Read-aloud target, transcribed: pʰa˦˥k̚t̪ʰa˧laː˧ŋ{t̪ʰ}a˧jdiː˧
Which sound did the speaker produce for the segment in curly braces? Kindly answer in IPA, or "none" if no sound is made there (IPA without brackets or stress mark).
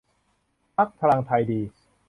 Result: t̪ʰ